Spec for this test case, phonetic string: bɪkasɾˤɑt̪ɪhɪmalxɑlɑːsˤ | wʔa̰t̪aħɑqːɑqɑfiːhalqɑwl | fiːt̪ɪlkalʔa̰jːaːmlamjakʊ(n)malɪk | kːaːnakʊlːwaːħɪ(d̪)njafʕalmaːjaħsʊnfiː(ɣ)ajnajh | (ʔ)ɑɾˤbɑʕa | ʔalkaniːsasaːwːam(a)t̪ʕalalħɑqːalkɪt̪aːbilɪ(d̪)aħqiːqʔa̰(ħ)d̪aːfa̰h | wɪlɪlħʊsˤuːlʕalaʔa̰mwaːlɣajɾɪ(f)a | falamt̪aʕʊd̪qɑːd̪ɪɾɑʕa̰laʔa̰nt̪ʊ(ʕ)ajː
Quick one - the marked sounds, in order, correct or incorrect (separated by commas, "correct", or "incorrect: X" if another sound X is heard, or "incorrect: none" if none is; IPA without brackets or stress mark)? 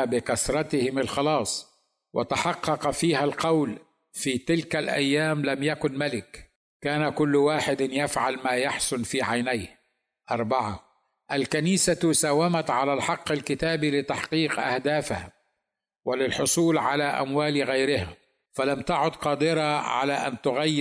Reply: correct, correct, incorrect: ʕ, correct, correct, incorrect: t̪, incorrect: h, incorrect: h, incorrect: ɣ